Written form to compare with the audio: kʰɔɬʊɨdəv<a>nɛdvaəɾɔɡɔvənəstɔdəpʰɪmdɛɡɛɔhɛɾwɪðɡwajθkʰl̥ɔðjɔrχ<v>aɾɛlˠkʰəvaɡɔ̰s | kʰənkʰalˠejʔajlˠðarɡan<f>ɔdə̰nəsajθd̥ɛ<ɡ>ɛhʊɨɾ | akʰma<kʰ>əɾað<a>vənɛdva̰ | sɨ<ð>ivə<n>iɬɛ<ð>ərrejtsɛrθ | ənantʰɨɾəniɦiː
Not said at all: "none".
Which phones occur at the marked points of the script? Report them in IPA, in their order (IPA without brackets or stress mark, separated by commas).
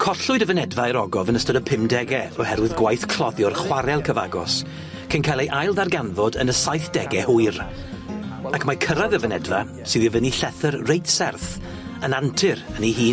ə, w, v, ɡ, kʰ, ə, ð, n, θ